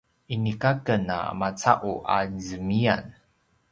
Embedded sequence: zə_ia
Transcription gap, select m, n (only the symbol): m